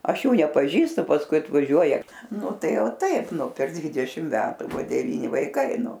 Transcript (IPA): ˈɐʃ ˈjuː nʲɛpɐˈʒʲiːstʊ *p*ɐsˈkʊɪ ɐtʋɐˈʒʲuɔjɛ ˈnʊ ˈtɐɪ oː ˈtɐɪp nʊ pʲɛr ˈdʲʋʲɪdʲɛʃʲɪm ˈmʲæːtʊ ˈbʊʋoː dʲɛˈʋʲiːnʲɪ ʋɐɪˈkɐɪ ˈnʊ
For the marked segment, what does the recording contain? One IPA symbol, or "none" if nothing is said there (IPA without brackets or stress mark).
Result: p